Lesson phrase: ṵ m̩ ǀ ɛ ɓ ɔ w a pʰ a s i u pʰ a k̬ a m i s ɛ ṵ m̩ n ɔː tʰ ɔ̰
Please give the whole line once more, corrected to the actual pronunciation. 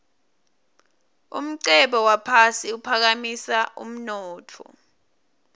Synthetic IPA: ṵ m̩ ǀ ɛ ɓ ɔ w a pʰ a s i u pʰ a k̬ a m i s a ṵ m̩ n ɔː tʰ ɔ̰